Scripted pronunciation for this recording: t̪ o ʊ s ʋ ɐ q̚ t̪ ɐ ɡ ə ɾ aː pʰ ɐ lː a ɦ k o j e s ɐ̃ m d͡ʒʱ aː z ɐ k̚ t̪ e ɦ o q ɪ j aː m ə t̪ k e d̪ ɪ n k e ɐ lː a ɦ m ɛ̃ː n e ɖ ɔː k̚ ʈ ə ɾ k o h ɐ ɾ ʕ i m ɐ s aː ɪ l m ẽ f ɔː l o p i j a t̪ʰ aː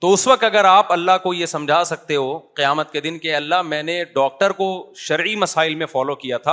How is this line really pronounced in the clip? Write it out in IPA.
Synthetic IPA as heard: t̪ o ʊ s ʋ ɐ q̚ t̪ ɐ ɡ ə ɾ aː p ɐ lː a ɦ k o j e s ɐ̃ m d͡ʒʱ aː s ɐ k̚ t̪ e ɦ o q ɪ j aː m ə t̪ k e d̪ ɪ n k e ɐ lː a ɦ m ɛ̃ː n e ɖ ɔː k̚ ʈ ə ɾ k o ʃ ɐ ɾ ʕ i m ɐ s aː ɪ l m ẽ f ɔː l o k i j a t̪ʰ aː